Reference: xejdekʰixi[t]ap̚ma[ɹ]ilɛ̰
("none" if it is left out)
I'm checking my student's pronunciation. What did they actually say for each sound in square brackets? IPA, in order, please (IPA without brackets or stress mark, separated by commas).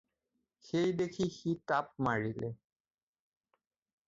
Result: t, ɹ